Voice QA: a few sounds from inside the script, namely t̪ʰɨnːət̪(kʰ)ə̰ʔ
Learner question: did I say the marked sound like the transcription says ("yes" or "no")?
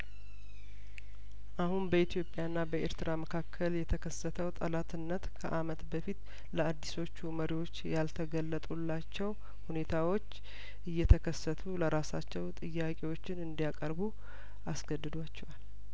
yes